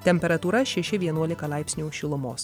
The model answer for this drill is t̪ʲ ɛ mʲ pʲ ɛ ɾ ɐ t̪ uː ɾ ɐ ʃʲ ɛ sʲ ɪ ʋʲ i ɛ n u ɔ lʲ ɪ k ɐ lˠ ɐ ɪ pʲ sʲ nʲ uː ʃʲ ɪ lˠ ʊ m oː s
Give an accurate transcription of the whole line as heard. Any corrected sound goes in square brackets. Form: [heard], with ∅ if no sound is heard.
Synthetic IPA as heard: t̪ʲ ɛ mʲ pʲ ɛ ɾ ɐ t̪ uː ɾ ɐ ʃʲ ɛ [ʃʲ] ɪ ʋʲ i ɛ n u ɔ lʲ ɪ k ɐ lˠ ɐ ɪ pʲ sʲ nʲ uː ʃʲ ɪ lˠ ʊ m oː s